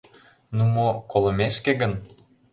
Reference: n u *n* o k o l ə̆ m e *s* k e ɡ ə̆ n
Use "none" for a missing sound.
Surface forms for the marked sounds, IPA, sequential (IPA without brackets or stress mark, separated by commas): m, ʃ